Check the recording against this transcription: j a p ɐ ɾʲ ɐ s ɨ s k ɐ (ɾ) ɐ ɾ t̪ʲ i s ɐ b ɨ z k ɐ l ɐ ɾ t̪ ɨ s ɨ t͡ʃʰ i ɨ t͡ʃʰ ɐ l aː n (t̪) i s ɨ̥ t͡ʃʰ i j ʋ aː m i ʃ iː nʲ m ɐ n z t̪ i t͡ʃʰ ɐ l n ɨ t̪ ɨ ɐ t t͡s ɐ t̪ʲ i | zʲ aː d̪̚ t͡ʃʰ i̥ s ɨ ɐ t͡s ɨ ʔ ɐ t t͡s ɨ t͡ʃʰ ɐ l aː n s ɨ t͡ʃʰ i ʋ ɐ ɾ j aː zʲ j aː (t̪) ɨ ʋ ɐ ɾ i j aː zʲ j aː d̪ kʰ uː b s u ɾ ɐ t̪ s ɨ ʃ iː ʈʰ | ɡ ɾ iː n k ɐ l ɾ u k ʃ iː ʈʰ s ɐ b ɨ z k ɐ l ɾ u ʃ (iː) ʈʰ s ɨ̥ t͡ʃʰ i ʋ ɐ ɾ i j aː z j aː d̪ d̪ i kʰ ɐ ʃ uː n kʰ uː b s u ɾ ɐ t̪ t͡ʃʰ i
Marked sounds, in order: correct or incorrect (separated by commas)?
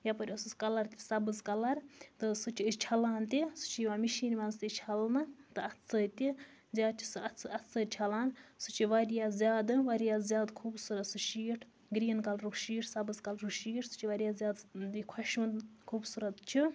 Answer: incorrect, correct, incorrect, correct